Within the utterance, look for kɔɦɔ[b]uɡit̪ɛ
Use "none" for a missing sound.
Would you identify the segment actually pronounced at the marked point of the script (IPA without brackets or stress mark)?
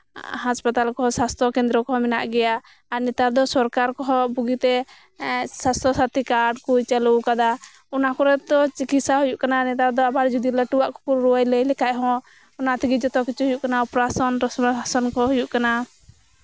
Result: b